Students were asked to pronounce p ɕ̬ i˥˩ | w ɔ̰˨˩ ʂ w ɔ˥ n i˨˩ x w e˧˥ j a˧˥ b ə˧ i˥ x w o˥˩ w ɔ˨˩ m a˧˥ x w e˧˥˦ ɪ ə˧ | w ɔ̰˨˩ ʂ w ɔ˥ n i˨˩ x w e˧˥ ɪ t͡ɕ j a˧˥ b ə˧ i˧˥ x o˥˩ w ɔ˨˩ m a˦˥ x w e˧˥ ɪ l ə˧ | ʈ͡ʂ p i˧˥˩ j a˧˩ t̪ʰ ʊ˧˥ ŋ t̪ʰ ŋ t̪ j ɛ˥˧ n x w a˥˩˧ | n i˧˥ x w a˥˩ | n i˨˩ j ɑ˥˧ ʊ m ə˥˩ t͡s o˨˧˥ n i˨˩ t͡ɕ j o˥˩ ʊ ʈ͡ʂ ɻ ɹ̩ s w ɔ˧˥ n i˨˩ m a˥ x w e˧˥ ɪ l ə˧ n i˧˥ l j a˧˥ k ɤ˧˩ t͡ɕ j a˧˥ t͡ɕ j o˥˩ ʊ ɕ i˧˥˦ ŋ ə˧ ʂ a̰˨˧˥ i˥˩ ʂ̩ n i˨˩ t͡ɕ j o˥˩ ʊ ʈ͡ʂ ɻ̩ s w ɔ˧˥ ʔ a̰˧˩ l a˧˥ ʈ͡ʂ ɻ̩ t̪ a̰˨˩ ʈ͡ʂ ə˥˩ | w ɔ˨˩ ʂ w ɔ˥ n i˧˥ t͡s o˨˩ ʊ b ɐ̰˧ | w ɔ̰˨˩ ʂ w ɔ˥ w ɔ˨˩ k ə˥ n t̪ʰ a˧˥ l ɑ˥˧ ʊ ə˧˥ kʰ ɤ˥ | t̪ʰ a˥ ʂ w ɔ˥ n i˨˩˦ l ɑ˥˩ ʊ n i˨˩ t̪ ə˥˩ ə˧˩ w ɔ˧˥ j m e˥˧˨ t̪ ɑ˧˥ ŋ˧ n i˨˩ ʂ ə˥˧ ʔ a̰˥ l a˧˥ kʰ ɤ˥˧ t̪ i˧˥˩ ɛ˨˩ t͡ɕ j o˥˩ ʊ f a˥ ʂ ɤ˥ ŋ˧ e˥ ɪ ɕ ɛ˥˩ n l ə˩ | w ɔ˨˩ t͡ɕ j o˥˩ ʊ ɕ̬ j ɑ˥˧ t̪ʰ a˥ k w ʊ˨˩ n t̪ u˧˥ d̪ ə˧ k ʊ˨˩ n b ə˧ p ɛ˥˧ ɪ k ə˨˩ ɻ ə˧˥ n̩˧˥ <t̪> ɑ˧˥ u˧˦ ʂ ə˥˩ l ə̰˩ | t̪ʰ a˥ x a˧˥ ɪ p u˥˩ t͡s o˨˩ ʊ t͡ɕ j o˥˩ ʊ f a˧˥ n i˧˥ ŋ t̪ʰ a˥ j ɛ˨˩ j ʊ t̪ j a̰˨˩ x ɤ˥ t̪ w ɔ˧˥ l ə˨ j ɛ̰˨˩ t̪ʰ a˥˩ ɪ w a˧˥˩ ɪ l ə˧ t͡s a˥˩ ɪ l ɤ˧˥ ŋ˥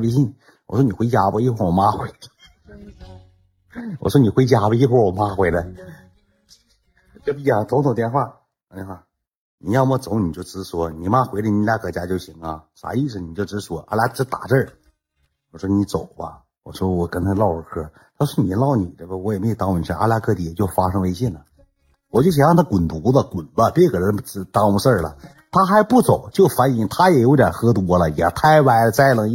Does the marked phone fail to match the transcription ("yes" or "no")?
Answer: no